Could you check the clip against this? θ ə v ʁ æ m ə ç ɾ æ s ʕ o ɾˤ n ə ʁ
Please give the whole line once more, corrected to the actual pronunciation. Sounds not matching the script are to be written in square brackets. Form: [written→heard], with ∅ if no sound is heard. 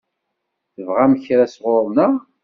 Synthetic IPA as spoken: θ ə v ʁ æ m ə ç ɾ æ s [ʕ→ʁ] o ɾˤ n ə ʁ